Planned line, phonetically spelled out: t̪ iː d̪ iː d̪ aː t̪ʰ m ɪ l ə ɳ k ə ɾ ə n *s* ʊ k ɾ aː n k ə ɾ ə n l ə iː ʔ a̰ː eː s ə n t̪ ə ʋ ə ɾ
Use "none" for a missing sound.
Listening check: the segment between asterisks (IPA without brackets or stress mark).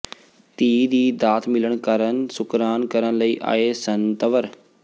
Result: s